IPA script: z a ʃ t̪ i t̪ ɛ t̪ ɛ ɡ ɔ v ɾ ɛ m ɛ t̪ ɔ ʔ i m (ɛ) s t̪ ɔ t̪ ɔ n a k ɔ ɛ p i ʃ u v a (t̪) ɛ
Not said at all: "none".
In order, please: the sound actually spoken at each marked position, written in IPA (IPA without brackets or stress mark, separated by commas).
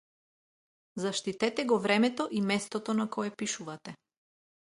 ɛ, t̪